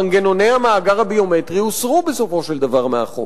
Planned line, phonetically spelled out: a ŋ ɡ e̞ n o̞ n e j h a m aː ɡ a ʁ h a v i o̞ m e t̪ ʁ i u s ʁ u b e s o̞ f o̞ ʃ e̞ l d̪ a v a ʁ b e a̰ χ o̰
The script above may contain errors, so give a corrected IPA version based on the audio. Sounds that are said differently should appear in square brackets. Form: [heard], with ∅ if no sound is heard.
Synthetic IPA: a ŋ ɡ e̞ n o̞ n e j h a m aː ɡ a ʁ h a [b] i o̞ m e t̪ ʁ i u s ʁ u b e s o̞ f o̞ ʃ e̞ l d̪ a v a ʁ [m] e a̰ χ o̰

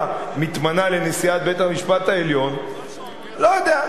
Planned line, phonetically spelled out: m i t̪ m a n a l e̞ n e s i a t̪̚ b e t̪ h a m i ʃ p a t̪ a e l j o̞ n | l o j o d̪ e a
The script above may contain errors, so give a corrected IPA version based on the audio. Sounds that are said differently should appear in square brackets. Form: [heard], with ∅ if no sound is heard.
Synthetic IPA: m i t̪ m a n a l e̞ n e s i a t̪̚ b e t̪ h a m i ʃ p a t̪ a e l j o̞ n | l o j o d̪ e a

